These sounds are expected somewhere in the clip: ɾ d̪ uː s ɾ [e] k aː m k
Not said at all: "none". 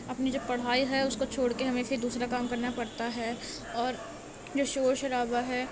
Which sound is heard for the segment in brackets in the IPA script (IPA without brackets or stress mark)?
a